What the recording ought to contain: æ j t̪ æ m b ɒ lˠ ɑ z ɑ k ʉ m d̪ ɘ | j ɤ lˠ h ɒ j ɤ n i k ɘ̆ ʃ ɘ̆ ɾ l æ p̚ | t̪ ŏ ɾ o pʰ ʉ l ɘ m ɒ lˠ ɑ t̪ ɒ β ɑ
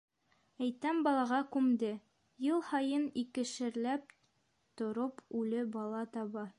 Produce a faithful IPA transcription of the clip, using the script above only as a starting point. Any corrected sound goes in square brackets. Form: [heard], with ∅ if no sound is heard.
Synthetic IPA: æ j t̪ æ m b ɒ lˠ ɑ [ʁ] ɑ k ʉ m d̪ ɘ | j ɤ lˠ h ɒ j ɤ n i k ɘ̆ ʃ ɘ̆ ɾ l æ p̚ | t̪ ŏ ɾ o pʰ ʉ l ɘ [b] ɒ lˠ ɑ t̪ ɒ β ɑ